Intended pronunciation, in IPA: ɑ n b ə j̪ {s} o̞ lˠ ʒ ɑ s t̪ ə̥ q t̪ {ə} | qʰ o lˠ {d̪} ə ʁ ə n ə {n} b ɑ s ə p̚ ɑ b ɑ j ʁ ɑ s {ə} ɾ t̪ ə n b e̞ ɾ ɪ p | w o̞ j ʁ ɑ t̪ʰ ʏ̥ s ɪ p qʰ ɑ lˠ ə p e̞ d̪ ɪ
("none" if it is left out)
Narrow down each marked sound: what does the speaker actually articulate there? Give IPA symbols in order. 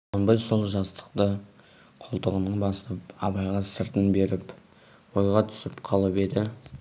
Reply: s, ə, t̪, ɴ, ə

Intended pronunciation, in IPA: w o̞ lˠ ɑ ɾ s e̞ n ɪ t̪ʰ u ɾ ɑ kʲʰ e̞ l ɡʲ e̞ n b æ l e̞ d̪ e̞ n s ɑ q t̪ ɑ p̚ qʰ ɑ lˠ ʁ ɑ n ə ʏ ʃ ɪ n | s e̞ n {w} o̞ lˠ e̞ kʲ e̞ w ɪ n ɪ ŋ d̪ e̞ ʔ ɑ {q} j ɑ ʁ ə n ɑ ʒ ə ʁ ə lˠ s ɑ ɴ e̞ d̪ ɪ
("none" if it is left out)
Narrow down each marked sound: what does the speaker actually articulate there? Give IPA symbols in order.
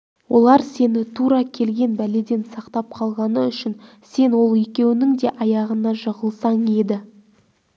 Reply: w, none

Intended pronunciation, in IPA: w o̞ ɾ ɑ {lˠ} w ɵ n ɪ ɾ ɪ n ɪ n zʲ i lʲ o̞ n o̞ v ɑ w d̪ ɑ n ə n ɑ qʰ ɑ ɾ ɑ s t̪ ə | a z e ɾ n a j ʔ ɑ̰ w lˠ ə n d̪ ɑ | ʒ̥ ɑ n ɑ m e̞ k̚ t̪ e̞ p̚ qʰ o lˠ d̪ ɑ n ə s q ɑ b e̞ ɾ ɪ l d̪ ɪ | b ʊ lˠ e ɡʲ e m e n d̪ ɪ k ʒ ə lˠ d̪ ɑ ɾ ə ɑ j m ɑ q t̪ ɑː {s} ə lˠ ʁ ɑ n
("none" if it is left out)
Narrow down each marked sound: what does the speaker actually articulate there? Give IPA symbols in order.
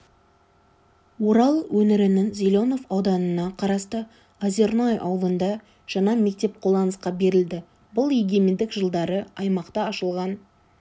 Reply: lˠ, ʃ

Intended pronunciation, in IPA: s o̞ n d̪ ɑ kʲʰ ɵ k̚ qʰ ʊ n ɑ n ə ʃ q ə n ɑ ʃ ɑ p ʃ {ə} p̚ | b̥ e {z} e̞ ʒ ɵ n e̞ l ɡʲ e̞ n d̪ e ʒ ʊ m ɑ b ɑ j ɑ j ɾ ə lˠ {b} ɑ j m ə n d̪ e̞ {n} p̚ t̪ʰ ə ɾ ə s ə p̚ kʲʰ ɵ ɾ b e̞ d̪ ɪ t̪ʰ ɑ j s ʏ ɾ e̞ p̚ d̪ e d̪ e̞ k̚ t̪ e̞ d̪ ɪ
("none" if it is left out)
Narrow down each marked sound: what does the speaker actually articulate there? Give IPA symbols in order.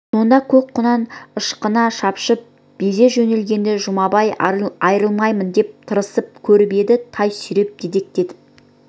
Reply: ə, z, m, none

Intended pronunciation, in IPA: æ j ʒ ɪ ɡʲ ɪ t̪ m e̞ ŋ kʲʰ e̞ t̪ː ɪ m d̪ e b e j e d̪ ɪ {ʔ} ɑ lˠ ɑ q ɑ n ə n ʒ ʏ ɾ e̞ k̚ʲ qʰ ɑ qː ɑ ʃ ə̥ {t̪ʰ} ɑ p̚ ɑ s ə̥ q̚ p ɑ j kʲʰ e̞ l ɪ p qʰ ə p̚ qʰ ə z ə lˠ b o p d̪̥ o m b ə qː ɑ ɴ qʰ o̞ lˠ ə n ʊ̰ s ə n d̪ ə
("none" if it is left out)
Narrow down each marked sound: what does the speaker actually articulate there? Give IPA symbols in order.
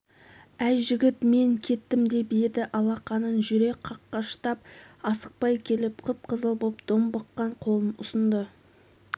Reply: ʔ, t̪

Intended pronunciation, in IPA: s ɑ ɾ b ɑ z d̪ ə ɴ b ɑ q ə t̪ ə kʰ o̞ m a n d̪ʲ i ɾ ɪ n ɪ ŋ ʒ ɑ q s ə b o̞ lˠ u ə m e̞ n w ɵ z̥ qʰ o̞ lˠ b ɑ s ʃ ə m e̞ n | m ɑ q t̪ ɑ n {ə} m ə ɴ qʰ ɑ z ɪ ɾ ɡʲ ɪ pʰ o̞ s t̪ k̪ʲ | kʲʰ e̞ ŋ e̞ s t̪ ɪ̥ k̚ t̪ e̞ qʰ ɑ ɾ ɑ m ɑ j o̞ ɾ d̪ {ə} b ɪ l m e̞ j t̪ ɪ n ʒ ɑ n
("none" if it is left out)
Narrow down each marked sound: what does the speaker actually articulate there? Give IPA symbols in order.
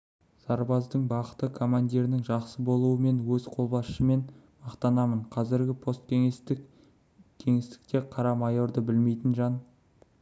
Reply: ɑ, ə

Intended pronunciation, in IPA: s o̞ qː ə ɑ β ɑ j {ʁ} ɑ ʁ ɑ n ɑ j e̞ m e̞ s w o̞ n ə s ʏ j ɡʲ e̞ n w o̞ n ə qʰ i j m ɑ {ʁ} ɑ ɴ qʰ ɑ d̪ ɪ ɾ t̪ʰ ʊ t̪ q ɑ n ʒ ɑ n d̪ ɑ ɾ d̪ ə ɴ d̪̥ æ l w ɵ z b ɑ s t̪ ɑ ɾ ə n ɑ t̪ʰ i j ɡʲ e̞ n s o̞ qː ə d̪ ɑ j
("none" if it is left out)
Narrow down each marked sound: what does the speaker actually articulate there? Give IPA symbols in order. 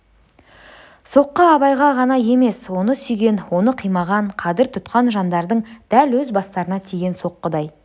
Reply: ʁ, ʁ

